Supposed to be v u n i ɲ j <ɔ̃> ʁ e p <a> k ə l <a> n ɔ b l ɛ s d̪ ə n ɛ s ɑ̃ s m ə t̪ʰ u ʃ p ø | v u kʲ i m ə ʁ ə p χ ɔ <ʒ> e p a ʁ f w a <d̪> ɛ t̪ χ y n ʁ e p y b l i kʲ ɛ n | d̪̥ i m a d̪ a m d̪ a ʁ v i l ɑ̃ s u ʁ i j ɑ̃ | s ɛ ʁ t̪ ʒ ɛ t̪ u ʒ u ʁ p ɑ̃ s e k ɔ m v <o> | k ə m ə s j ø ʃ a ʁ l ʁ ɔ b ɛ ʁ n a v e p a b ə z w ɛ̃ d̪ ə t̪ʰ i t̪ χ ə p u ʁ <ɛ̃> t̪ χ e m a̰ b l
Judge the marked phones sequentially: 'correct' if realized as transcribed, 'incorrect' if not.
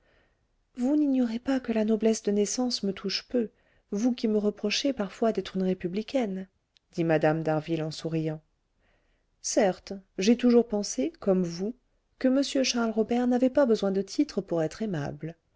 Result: incorrect, correct, correct, incorrect, correct, incorrect, incorrect

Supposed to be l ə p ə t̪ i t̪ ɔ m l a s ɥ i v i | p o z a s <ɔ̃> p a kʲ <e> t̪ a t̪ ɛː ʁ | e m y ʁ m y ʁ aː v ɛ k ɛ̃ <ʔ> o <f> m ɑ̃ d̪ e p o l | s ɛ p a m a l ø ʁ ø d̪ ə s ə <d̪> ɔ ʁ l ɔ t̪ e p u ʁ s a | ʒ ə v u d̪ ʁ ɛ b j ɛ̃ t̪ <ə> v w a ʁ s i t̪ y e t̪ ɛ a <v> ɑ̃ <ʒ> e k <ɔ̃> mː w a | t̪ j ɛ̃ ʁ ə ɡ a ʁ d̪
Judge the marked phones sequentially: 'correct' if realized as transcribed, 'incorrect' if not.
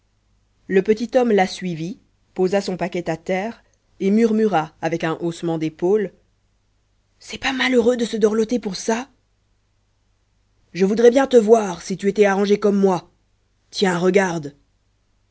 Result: correct, incorrect, correct, incorrect, correct, correct, incorrect, correct, incorrect

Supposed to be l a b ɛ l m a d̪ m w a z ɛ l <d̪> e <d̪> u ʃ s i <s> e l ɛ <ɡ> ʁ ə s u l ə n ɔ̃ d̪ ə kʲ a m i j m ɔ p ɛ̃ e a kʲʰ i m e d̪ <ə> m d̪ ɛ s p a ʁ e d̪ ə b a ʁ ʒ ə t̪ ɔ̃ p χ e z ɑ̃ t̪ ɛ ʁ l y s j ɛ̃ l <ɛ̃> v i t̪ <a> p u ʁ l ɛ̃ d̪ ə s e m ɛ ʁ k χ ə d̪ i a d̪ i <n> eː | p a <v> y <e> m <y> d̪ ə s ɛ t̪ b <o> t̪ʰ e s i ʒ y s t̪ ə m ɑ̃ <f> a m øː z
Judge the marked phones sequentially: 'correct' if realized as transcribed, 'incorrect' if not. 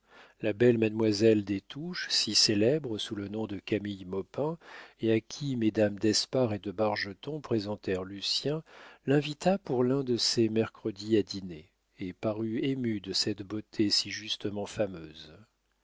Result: correct, incorrect, correct, incorrect, incorrect, correct, correct, correct, incorrect, correct, correct, correct, correct

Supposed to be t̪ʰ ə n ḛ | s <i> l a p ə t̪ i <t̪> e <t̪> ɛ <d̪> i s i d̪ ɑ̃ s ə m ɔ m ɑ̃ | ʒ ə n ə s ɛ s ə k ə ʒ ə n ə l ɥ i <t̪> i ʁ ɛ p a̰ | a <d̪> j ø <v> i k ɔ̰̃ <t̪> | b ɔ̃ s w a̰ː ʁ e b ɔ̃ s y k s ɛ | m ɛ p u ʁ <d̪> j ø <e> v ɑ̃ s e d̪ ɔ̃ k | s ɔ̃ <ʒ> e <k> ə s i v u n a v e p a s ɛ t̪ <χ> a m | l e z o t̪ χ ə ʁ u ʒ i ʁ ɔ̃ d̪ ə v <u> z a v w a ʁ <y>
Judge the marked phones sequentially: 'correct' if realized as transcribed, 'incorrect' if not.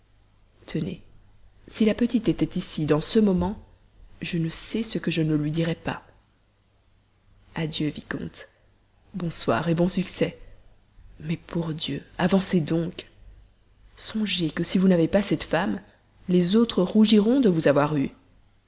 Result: correct, correct, correct, incorrect, incorrect, correct, correct, correct, correct, incorrect, correct, correct, incorrect, correct, correct

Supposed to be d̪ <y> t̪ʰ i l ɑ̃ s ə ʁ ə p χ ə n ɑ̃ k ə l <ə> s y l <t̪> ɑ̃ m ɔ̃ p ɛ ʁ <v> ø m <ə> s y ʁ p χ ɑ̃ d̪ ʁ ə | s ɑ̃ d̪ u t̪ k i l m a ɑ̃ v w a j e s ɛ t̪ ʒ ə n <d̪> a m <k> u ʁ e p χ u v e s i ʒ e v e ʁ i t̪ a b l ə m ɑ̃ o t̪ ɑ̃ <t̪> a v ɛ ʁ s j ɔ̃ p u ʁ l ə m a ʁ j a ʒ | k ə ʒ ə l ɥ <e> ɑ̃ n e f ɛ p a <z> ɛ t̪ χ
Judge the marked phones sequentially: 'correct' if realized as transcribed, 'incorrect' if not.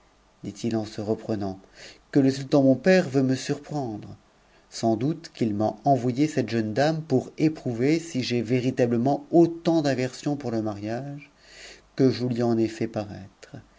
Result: incorrect, correct, correct, correct, correct, correct, incorrect, incorrect, incorrect, incorrect

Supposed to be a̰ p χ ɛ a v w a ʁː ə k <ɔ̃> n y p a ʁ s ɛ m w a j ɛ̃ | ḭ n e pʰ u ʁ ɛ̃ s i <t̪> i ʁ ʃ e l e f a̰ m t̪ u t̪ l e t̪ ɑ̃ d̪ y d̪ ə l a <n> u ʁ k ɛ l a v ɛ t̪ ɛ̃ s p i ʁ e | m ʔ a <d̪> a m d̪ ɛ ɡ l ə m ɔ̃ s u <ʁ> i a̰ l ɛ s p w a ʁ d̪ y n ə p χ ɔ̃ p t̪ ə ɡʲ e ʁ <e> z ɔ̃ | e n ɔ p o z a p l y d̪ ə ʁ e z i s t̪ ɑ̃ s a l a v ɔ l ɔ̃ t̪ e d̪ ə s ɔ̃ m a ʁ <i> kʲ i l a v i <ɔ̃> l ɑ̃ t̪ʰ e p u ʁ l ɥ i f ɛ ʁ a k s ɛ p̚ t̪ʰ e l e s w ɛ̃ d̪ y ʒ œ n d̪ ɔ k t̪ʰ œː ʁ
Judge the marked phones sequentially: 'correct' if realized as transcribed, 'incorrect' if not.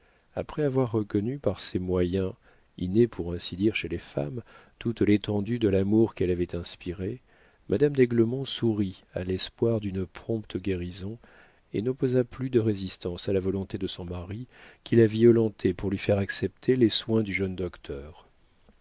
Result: incorrect, incorrect, incorrect, correct, correct, incorrect, correct, incorrect

